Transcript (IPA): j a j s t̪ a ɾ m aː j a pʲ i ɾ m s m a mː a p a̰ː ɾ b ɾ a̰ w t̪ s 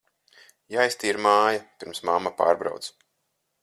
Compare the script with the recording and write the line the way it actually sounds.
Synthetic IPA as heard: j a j s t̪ i ɾ m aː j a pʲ i ɾ m s m a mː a p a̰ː ɾ b ɾ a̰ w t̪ s